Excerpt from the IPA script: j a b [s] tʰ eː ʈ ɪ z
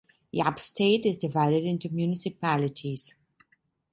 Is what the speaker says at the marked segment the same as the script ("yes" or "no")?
yes